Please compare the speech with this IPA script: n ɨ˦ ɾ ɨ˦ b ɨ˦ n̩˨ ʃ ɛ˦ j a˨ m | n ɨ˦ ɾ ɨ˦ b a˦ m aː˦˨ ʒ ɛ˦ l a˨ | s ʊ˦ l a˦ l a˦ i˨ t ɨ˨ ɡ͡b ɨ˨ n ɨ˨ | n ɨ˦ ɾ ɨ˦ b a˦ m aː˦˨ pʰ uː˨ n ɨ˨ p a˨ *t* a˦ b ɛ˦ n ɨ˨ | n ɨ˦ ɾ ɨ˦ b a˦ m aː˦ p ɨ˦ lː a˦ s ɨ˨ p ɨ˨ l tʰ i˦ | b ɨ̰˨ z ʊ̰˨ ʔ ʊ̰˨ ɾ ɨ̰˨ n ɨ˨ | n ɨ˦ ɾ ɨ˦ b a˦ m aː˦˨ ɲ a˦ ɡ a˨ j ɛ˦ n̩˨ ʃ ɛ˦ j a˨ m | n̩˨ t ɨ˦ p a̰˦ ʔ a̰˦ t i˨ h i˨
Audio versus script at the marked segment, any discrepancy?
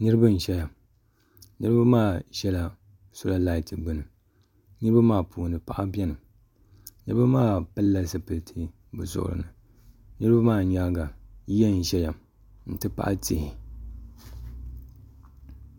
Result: yes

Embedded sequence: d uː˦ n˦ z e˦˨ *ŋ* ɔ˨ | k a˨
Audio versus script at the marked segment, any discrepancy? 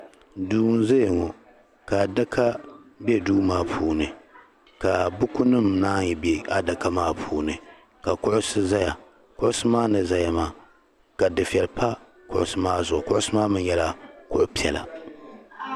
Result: no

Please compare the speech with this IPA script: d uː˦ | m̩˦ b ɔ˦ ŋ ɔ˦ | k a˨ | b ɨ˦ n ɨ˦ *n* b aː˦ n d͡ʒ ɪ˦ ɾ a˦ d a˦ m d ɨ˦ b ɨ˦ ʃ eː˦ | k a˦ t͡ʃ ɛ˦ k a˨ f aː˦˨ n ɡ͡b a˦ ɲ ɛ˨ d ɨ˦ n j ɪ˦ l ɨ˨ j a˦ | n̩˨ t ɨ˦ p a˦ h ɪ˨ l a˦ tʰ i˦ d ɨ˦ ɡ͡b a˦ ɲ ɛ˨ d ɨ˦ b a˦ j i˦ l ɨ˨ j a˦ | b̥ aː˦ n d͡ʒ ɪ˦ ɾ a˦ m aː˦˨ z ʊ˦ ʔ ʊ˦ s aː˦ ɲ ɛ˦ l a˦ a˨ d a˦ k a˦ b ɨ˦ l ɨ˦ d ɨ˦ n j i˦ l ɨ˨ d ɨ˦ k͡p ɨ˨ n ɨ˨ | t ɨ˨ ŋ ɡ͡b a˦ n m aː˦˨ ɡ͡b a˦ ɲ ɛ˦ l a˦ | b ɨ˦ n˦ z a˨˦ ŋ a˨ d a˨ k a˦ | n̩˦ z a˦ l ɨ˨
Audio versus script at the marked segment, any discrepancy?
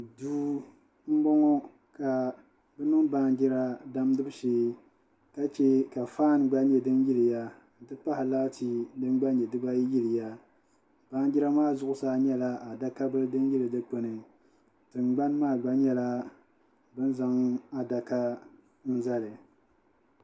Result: yes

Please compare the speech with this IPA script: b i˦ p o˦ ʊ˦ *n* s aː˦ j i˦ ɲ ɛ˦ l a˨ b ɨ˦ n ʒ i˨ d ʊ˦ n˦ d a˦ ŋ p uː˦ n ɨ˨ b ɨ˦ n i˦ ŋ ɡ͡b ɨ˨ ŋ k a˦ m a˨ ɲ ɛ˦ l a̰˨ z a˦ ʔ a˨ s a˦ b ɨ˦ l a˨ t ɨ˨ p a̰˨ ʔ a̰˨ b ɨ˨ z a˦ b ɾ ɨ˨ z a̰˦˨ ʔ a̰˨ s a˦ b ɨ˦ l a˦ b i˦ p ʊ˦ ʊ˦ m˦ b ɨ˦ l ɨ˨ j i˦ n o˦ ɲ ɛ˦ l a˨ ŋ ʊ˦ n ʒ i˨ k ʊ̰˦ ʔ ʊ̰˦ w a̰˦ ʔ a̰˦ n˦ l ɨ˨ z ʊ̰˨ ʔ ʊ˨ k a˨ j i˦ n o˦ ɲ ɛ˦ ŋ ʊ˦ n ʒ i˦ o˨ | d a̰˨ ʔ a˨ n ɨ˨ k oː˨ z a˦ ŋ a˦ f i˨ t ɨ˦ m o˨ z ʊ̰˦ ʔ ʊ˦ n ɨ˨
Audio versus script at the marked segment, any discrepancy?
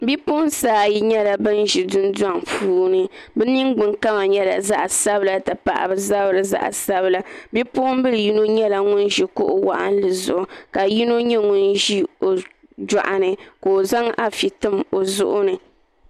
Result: no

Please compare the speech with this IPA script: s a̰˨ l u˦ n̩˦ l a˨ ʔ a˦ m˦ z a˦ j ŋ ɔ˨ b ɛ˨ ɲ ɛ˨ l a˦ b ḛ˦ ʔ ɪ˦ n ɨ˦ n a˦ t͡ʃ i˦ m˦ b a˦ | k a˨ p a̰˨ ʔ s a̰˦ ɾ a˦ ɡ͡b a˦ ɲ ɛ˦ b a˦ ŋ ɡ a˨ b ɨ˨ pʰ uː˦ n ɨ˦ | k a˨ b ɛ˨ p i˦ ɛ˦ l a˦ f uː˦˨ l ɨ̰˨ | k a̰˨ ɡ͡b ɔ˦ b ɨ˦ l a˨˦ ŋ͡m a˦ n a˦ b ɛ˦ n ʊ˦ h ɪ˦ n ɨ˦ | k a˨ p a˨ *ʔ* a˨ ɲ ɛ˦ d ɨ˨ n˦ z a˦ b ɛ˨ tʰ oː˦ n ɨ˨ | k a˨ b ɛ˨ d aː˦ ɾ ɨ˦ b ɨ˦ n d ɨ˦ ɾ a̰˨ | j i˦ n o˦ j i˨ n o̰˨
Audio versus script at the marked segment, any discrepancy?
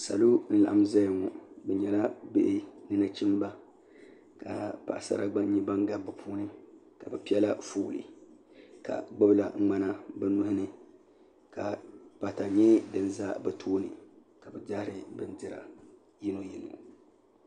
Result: yes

